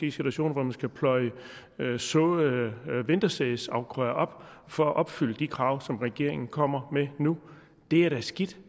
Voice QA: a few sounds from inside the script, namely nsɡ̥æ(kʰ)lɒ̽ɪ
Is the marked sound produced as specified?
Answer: no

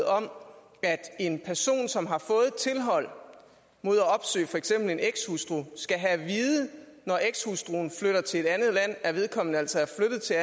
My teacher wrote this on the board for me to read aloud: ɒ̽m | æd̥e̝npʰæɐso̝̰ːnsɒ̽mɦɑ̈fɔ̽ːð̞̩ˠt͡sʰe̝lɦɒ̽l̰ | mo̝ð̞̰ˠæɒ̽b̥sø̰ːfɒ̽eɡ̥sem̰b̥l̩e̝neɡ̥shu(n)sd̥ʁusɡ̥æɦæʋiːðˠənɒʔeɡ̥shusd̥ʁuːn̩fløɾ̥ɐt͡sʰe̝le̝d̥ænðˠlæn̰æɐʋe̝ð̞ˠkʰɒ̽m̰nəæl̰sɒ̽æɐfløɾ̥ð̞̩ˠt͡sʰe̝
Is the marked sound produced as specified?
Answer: no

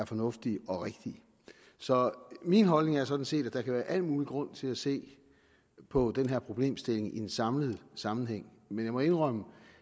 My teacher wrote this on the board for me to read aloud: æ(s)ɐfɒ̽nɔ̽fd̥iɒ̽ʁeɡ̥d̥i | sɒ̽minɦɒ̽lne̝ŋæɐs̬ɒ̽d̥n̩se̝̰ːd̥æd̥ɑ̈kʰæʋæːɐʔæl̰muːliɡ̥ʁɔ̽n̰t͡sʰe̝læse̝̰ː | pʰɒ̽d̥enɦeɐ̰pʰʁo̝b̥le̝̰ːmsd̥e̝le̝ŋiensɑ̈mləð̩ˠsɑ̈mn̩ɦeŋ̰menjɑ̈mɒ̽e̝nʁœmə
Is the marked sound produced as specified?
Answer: no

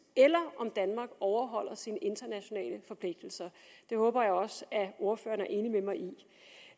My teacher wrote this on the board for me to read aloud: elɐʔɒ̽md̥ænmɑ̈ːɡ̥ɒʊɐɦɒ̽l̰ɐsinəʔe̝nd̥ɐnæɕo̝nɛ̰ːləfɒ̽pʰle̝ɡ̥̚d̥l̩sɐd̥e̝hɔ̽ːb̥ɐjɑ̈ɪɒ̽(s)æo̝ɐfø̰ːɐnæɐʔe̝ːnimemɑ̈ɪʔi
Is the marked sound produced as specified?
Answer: yes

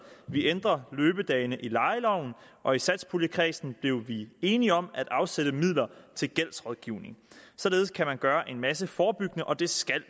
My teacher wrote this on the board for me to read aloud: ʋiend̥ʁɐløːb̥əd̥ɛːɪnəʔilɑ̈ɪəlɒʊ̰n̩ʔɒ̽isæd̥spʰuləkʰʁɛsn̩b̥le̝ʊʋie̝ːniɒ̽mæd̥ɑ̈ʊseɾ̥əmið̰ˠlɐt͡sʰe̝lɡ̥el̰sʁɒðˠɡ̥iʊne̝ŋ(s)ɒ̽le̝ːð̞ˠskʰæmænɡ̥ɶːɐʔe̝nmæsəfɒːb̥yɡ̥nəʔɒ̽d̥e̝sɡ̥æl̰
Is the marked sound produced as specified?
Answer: yes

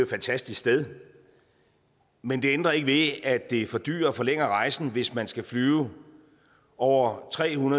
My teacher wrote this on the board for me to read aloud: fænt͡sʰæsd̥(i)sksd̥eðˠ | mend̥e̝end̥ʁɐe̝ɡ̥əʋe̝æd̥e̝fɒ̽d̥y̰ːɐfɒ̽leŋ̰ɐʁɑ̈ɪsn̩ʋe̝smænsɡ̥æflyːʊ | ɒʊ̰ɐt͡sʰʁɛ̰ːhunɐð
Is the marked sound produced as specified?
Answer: yes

